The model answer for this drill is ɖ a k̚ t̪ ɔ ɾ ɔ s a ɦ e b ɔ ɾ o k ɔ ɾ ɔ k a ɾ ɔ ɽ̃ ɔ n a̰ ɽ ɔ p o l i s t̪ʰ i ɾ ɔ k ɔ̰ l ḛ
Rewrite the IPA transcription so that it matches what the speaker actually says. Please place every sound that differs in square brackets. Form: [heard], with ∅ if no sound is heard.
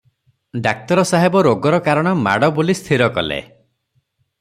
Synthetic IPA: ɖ a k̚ t̪ ɔ ɾ ɔ s a ɦ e b ɔ ɾ o [ɡ] ɔ ɾ ɔ k a ɾ ɔ ɽ̃ ɔ [m] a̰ ɽ ɔ [b] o l i s t̪ʰ i ɾ ɔ k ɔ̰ l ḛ